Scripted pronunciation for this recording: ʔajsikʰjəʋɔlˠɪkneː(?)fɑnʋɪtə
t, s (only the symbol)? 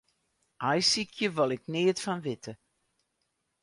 t